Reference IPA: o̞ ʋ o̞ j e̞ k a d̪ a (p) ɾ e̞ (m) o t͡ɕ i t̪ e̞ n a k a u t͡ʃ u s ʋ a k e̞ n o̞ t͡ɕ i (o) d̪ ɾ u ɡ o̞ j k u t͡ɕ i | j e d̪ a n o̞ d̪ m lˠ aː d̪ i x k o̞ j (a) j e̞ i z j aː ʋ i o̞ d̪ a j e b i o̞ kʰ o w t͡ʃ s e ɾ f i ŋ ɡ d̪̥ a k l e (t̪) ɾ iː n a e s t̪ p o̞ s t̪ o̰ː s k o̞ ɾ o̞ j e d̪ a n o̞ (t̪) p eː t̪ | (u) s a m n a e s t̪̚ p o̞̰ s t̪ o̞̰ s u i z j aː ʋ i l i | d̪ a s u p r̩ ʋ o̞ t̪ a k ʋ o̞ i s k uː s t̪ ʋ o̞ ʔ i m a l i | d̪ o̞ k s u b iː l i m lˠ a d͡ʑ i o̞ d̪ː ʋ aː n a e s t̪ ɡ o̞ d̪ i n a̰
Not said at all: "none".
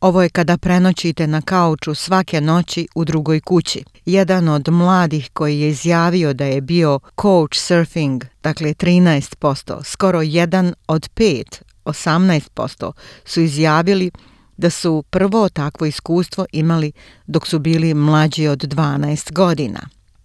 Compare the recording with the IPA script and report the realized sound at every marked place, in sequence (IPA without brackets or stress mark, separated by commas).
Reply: p, n, u, i, t̪, d̪, o